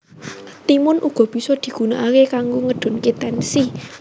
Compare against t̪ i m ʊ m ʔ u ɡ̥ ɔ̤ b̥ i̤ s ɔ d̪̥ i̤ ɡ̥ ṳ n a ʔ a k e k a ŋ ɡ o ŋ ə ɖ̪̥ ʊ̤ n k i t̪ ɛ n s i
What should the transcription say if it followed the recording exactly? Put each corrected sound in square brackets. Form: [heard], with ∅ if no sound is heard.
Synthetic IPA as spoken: t̪ i m ʊ [n] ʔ u ɡ̥ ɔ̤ b̥ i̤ s ɔ d̪̥ i̤ ɡ̥ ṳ n a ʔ a k e k a ŋ ɡ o ŋ ə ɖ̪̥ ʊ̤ n k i t̪ ɛ n s i

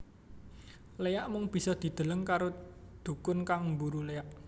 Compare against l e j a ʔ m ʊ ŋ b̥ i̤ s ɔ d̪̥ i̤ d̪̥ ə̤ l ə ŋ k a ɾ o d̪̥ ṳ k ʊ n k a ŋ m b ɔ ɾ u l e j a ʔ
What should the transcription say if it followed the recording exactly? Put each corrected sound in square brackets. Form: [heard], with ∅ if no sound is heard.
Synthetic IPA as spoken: l e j a ʔ m ʊ ŋ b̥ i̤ s ɔ d̪̥ i̤ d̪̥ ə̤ l ə ŋ k a ɾ o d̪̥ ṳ k ʊ n k a ŋ m b [u] ɾ u l e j a ʔ

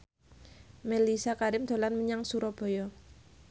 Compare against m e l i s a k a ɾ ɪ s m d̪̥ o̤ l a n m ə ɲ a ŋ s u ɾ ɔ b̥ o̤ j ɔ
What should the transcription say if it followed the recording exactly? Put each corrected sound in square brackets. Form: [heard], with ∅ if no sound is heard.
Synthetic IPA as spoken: m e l i s a k a ɾ ɪ [∅] m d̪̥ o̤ l a n m ə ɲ a ŋ s u ɾ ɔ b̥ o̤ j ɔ

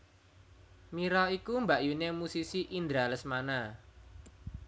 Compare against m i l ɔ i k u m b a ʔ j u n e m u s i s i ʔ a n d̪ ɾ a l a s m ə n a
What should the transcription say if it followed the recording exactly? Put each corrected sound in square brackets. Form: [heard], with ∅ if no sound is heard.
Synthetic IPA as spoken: m i [ɾ] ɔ i k u m b a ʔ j u n e m u s i s i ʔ [i] n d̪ ɾ a l [ə] s m [a] n a

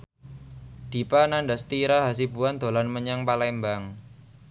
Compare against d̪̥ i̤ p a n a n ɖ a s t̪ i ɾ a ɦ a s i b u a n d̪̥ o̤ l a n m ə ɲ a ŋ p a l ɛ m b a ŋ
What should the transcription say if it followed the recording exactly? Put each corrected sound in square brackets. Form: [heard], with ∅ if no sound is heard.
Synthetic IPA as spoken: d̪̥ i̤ p a n a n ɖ a s t̪ i ɾ a ɦ a s i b u a n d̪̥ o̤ l a n m ə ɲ a ŋ p a l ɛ m b a ŋ

